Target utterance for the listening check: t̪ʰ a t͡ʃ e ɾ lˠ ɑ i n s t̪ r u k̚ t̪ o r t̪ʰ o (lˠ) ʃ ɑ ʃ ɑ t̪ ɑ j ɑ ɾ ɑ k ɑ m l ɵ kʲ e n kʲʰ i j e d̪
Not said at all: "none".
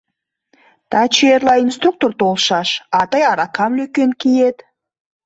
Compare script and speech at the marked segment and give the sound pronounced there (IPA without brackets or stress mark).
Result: lˠ